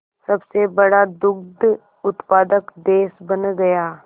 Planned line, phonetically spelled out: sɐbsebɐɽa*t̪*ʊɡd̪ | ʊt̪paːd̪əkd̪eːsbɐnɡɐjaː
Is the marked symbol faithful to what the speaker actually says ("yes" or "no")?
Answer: no